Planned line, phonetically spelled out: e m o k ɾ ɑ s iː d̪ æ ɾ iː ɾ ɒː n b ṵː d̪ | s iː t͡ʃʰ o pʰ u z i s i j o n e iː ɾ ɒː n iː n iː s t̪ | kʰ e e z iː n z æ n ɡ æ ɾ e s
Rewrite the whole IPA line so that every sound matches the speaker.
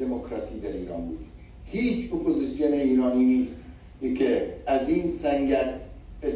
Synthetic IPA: e m o k ɾ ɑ s iː d̪ æ ɾ iː ɾ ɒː n b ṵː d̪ | h iː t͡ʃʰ o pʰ o z i s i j o n e iː ɾ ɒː n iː n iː s t̪ | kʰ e æ z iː n s æ ŋ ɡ æ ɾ e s